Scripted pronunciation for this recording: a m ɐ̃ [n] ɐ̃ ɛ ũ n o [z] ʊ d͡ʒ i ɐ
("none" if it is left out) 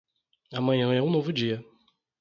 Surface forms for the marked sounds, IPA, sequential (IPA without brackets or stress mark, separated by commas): ɲ, v